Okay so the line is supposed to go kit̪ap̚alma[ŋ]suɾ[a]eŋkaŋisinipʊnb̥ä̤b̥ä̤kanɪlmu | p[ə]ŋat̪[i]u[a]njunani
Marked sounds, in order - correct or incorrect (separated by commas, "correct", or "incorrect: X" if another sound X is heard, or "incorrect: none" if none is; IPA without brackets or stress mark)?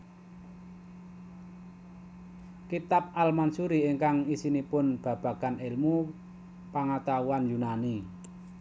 incorrect: n, incorrect: i, incorrect: a, incorrect: a, correct